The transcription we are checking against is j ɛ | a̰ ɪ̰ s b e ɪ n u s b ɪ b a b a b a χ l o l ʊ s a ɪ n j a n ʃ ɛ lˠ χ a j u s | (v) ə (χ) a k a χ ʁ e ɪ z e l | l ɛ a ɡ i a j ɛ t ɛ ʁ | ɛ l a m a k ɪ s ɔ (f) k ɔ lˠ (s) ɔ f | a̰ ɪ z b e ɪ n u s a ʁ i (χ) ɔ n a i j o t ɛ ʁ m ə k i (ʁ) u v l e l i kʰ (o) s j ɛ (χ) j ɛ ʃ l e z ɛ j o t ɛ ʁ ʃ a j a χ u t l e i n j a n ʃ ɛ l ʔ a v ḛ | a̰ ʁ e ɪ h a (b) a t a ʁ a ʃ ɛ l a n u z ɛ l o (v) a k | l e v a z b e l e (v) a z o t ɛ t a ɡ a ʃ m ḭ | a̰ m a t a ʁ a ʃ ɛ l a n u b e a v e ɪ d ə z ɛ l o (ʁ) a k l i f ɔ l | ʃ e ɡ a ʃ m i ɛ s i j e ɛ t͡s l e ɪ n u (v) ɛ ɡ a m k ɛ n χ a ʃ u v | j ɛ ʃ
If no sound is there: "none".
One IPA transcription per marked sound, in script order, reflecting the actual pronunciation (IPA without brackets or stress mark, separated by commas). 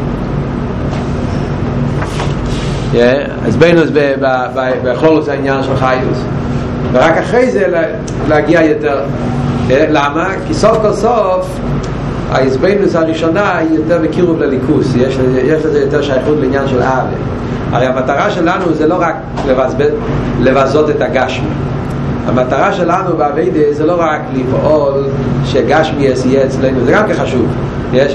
v, ʁ, f, s, ʃ, ʁ, u, ʃ, m, ʁ, v, ʁ, z